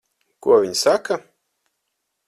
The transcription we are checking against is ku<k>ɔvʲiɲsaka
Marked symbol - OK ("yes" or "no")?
no